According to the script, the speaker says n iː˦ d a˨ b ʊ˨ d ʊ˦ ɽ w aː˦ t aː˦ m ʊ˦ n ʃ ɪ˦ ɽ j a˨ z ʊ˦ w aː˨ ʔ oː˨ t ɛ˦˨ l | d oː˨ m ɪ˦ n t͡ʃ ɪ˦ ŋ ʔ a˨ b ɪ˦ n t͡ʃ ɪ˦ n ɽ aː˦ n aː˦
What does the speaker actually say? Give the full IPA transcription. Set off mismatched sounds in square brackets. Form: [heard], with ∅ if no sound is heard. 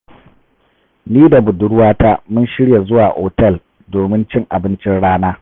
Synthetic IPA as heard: n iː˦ d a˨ b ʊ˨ d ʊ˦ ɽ w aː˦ t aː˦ m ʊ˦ n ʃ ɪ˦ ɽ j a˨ z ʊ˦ w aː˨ ʔ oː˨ t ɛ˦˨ l | d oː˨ m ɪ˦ n t͡ʃ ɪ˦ ŋ ʔ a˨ b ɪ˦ n t͡ʃ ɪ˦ n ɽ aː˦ n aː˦

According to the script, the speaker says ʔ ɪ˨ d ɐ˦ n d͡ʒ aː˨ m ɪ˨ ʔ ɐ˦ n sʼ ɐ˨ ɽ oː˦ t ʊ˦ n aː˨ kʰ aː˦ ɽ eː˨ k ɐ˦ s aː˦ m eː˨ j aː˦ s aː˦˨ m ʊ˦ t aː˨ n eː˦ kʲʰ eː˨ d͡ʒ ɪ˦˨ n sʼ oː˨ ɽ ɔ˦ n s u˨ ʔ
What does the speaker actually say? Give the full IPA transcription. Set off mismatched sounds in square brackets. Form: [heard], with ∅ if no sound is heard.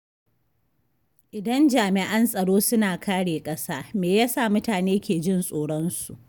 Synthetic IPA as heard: ʔ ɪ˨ d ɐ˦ n d͡ʒ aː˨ m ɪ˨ ʔ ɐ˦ n sʼ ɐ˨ ɽ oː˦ [s] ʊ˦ n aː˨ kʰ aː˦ ɽ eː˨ [kʼ] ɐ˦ s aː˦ m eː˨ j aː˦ s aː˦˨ m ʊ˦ t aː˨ n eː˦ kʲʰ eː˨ d͡ʒ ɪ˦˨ n sʼ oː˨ ɽ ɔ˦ n s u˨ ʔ

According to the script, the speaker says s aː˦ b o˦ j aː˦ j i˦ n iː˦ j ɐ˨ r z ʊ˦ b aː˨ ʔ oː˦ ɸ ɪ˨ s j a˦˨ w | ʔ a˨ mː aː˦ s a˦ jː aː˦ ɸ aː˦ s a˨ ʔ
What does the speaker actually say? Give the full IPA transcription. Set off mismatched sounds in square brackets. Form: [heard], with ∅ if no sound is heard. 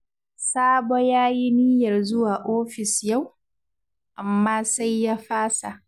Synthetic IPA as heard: s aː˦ b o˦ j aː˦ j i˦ n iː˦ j ɐ˨ r z ʊ˦ [w] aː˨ ʔ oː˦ ɸ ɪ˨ s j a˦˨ w | ʔ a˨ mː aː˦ s a˦ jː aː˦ ɸ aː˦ s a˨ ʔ

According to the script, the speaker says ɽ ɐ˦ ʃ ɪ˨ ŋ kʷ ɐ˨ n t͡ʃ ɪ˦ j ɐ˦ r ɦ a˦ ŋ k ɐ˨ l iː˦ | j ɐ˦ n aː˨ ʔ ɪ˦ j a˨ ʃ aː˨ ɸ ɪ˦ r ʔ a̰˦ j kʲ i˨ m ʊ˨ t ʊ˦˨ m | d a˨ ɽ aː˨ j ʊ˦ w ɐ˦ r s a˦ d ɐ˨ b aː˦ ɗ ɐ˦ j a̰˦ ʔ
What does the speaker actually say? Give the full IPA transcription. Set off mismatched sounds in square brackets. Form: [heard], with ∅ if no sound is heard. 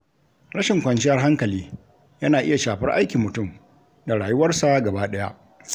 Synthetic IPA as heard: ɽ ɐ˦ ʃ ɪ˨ ŋ kʷ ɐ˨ n t͡ʃ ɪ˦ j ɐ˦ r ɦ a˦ ŋ k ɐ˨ l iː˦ | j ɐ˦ n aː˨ ʔ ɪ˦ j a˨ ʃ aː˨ ɸ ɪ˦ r ʔ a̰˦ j kʲ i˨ m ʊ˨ t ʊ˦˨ m | d a˨ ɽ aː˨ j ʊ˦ w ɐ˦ r s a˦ [ɡ] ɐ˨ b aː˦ ɗ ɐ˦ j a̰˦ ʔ

